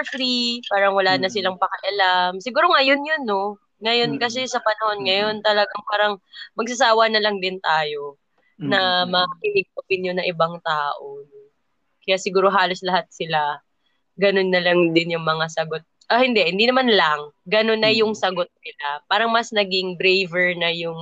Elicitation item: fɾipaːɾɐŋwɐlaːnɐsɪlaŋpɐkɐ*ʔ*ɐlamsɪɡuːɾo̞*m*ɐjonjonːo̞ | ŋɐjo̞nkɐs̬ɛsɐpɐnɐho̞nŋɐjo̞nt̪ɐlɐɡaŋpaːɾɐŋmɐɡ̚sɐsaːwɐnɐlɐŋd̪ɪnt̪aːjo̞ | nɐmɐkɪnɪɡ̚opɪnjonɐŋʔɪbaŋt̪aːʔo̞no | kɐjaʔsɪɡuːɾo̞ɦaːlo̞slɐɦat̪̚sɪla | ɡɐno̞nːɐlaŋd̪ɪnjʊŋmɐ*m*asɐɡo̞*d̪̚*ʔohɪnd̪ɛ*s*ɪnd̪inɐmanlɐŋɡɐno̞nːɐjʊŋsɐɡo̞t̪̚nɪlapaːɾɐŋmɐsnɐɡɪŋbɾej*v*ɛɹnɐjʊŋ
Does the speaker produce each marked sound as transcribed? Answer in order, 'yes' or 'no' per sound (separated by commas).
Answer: yes, no, no, no, no, yes